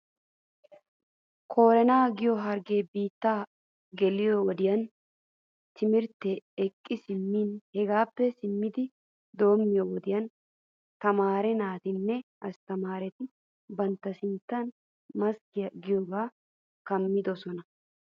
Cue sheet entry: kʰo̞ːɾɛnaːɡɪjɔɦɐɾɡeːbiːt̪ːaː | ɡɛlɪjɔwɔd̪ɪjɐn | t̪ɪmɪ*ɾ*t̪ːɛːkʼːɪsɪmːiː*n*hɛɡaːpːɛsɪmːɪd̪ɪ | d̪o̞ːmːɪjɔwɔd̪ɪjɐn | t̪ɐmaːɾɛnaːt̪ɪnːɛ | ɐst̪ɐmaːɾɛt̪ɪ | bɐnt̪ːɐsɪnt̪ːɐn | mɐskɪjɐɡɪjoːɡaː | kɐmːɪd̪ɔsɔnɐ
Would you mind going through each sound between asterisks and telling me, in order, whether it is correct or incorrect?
correct, correct

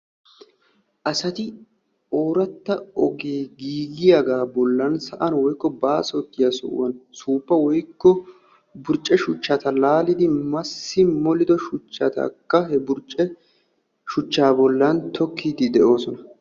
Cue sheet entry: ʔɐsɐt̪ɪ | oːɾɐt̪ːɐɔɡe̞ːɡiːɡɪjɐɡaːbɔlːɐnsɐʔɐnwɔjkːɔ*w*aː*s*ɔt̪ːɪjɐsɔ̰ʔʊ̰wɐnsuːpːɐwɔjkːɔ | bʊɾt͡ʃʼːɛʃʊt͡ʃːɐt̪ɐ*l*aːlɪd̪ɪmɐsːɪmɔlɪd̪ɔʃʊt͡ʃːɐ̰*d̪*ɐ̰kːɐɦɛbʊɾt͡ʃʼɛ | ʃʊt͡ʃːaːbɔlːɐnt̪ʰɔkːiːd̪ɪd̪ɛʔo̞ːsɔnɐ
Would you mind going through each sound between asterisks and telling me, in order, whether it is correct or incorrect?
incorrect: b, correct, correct, incorrect: t̪

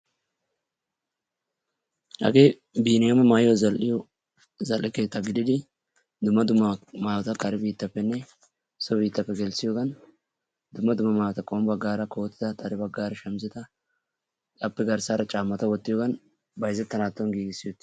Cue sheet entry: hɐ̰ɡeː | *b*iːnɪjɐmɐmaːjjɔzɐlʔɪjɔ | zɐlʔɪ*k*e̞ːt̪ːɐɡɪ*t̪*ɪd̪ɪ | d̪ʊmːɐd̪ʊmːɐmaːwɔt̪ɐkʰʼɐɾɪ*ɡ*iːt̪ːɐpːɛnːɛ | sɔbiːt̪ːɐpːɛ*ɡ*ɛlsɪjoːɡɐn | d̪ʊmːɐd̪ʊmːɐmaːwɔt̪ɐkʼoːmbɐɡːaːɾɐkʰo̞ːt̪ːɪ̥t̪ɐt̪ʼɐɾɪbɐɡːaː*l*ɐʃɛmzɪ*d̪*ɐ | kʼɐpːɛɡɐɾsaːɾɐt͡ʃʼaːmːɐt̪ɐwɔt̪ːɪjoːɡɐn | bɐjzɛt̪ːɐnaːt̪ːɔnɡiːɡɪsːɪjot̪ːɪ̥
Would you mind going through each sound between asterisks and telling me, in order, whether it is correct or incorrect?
correct, correct, incorrect: d̪, incorrect: b, correct, incorrect: ɾ, incorrect: t̪

